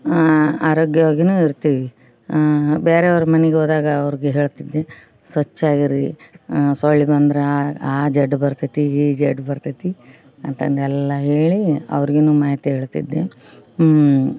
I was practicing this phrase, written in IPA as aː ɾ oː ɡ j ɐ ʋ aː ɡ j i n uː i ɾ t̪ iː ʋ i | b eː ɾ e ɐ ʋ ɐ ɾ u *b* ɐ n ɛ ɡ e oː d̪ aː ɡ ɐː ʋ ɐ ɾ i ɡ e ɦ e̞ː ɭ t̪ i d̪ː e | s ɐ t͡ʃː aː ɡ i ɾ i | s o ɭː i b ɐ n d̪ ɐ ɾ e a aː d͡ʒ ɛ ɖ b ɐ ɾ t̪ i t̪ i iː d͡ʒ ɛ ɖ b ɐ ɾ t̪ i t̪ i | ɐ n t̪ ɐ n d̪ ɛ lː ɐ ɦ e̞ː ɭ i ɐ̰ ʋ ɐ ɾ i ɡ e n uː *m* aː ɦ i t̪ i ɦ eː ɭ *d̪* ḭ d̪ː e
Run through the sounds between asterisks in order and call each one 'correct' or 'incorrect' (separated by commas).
incorrect, correct, incorrect